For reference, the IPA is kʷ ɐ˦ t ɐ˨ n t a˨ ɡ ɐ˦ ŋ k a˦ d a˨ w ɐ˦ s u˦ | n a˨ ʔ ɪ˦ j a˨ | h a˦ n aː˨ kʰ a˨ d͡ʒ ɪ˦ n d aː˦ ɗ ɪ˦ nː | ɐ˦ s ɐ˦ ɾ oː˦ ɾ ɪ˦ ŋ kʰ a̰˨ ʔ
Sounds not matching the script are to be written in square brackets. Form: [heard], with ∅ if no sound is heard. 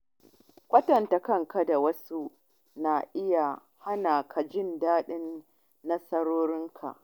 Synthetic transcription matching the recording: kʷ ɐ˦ t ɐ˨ n t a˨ [k] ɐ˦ ŋ k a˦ d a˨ w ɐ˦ s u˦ | n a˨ ʔ ɪ˦ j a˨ | h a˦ n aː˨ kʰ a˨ d͡ʒ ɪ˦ n d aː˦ ɗ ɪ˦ nː | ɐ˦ s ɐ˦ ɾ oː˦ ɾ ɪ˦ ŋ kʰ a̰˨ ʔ